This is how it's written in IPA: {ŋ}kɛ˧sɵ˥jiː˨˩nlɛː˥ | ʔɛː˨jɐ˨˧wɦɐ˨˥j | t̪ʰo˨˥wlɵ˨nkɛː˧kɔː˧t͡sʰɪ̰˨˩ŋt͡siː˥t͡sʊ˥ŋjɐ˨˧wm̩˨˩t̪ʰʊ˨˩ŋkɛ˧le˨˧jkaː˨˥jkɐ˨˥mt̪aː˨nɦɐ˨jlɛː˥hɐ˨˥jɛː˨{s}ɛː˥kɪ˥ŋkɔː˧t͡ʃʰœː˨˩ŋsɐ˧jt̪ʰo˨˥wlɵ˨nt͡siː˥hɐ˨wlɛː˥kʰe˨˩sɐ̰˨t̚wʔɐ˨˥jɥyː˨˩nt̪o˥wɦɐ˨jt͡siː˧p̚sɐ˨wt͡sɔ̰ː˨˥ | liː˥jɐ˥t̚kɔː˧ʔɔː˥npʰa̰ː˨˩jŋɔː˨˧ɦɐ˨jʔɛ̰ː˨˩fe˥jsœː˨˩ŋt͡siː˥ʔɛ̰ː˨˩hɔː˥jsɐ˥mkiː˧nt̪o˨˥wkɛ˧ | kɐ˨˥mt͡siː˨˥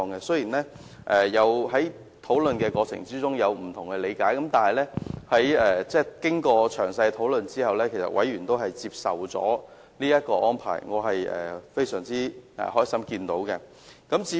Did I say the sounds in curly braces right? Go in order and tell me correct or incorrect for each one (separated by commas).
correct, incorrect